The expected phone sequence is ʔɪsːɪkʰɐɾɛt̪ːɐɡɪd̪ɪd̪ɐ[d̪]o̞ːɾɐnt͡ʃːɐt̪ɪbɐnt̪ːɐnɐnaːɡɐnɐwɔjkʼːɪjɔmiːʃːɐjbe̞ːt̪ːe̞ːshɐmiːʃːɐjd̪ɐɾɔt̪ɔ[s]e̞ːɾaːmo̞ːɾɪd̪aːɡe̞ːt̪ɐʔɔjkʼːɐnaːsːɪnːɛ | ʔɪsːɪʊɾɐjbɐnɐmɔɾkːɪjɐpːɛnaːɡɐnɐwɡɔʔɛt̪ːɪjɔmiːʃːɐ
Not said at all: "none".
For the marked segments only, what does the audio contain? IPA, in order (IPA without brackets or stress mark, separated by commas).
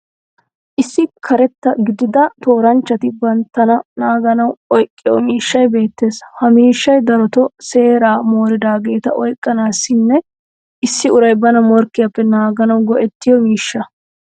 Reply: t̪, s